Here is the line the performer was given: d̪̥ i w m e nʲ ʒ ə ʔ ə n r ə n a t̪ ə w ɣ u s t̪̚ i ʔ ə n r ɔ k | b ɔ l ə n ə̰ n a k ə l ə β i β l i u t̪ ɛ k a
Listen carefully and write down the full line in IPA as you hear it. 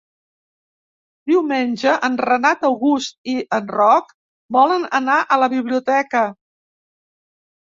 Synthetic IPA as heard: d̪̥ i w m e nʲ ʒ ə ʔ ə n r ə n a t̪ ə w ɣ u s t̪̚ i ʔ ə n r ɔ k | b ɔ l ə n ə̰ n a ʔ ə l ə β i β l i u t̪ ɛ k ə